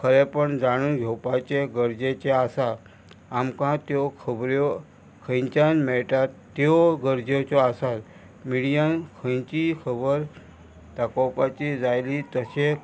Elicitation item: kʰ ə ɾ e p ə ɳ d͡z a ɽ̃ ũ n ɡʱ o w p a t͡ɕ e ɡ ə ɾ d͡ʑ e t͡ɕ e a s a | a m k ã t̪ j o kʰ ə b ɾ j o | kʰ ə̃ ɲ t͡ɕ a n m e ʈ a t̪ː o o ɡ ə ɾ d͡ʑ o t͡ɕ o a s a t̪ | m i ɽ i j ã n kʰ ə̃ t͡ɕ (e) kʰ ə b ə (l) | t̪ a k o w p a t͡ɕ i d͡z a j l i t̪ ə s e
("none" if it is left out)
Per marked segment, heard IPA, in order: i, ɾ

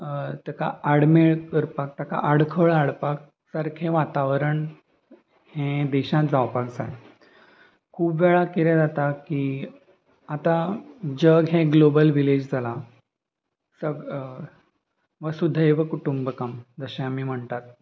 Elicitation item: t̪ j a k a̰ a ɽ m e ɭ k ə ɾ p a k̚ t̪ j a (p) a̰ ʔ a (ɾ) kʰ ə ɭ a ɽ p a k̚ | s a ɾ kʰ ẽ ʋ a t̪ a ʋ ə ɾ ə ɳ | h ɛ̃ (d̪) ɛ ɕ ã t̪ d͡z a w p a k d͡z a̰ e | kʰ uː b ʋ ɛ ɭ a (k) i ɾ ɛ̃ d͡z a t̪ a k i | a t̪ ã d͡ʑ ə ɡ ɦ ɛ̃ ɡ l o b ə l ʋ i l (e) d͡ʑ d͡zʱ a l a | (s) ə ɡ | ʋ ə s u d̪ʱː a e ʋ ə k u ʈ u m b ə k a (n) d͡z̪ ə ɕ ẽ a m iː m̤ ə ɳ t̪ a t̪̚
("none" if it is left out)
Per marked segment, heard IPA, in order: k, ɽ, d̪, k, e, s, m

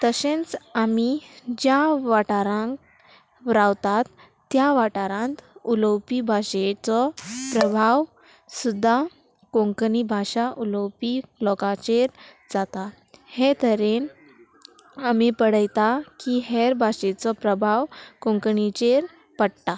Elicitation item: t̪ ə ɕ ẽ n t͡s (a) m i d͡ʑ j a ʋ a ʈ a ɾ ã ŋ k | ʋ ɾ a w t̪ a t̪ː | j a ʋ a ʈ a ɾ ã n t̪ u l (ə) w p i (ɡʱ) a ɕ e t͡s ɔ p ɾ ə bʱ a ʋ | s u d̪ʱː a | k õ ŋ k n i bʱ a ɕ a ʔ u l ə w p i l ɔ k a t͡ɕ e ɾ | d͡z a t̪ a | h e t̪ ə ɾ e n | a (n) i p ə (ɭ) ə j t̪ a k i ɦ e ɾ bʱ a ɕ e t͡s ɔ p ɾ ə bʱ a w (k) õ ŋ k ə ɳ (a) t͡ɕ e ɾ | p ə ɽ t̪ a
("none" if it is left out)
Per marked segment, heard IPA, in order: a, ə, bʱ, m, ɽ, k, i

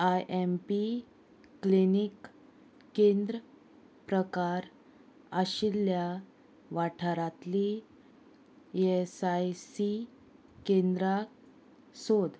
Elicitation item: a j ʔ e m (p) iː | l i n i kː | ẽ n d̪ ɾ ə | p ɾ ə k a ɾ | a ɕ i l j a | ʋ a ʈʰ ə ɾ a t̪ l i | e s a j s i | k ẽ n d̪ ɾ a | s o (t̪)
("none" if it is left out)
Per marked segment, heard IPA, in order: p, d̪

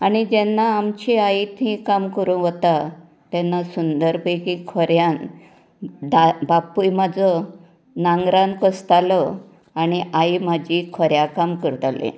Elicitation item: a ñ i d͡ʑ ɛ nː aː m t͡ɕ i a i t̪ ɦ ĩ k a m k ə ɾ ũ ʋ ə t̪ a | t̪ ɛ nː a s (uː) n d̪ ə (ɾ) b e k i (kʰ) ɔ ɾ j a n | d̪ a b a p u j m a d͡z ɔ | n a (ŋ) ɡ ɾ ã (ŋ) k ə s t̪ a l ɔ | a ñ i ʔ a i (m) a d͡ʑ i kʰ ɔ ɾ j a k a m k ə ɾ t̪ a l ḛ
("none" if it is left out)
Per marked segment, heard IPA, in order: u, ɾ, kʰ, ŋ, n, m

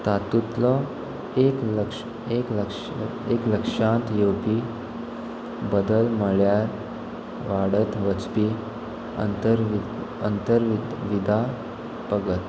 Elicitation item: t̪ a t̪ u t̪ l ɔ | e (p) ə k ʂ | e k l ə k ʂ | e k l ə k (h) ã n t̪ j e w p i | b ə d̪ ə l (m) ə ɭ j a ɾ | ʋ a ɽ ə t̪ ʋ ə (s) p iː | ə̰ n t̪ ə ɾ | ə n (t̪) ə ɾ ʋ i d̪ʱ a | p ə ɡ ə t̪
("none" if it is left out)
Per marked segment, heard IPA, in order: k, ʂ, m, t͡s, t̪

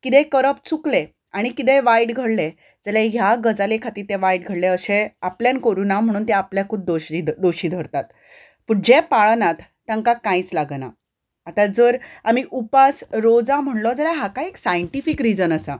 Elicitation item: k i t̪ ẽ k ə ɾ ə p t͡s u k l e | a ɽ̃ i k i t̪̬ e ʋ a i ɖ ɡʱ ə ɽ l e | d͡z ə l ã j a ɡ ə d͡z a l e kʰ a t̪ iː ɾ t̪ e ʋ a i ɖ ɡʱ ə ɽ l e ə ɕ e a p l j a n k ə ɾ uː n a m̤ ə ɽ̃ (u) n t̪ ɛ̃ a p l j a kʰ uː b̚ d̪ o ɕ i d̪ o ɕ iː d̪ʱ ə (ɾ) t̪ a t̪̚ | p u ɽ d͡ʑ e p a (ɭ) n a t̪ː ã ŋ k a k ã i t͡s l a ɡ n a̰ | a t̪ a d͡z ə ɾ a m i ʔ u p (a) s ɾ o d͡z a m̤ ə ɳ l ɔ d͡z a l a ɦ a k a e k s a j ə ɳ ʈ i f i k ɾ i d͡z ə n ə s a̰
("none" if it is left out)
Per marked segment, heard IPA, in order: uː, ɾ, ɭ, a

